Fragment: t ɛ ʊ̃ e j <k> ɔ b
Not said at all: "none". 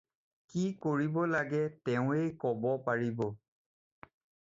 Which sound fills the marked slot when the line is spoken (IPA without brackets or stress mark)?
k